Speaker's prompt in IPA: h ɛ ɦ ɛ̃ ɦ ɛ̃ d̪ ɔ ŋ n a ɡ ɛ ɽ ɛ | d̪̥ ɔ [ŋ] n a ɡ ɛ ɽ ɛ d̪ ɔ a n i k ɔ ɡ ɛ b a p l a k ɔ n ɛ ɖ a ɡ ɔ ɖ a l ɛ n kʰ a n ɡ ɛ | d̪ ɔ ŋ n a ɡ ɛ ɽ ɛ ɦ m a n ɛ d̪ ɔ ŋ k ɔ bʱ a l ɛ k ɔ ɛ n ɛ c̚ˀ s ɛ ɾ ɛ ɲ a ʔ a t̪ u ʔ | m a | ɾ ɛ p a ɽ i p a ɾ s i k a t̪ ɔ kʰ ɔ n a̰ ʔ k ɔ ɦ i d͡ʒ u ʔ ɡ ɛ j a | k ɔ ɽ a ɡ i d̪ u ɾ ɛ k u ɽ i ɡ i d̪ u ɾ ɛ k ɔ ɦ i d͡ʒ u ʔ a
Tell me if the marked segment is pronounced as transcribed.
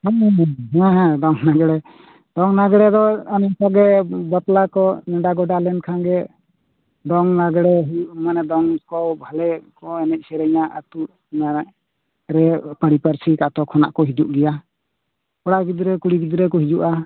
yes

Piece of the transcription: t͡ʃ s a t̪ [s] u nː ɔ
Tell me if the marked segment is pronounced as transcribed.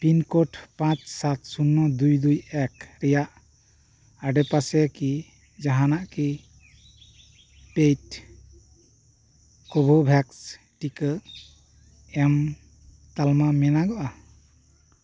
yes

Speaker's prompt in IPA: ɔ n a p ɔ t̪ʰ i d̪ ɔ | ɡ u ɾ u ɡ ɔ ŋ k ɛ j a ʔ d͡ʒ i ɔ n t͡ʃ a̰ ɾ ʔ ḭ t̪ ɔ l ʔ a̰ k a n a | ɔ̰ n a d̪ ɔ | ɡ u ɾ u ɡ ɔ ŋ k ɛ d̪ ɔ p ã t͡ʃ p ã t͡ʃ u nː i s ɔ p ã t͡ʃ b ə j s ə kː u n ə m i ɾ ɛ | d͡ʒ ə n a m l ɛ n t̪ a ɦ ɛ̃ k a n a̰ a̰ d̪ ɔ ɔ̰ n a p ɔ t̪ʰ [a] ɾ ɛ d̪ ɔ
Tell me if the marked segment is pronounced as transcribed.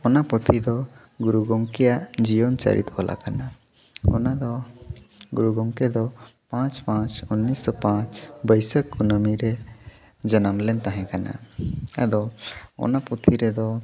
no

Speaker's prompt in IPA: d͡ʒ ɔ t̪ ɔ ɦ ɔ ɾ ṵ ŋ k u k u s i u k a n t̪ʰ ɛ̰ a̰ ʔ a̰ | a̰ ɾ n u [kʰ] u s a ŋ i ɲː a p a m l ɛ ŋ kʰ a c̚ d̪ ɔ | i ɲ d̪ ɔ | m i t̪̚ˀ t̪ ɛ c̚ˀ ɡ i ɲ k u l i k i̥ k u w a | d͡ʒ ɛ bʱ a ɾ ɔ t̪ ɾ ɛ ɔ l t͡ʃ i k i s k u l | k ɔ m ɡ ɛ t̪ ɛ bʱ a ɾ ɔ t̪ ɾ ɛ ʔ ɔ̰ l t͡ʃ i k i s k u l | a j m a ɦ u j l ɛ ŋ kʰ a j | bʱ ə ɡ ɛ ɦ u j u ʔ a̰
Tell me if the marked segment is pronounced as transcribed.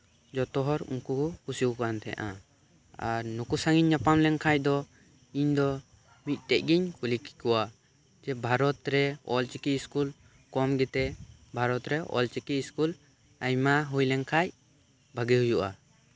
no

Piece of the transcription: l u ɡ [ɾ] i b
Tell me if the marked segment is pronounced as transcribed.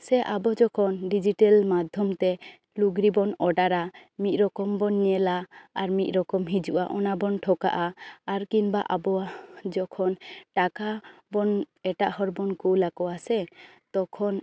yes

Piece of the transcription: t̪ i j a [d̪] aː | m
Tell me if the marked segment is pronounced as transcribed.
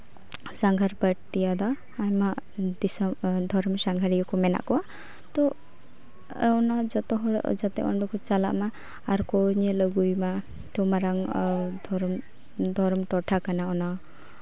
yes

